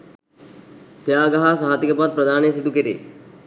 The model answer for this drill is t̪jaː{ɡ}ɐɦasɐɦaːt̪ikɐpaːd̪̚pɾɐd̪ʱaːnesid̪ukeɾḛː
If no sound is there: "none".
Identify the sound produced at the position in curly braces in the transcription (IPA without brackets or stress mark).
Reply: ɡ